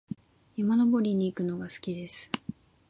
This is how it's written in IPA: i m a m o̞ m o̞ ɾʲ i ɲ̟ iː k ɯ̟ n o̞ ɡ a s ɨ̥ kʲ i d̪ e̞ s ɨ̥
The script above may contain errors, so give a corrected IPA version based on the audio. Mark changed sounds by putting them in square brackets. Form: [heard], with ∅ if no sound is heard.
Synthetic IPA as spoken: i m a [n] o̞ [b] o̞ ɾʲ i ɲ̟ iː k ɯ̟ n o̞ ɡ a s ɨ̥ kʲ i d̪ e̞ s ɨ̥